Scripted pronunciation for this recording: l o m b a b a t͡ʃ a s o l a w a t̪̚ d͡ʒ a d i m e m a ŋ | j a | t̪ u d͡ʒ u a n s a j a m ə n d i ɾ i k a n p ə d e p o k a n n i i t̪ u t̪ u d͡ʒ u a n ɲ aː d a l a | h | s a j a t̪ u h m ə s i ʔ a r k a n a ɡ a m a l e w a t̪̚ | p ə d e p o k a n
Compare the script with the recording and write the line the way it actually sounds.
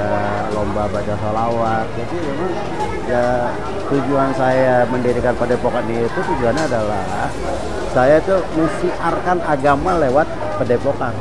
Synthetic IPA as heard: l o m b a b a t͡ʃ a s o l a w a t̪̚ d͡ʒ a d i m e m a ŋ | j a | t̪ u d͡ʒ u a n s a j a m ə n d i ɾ i k a n p ə d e p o k a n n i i t̪ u t̪ u d͡ʒ u a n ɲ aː d a l a | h | s a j a t̪ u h m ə s i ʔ a r k a n a ɡ a m a l e w a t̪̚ | p ə d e p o k a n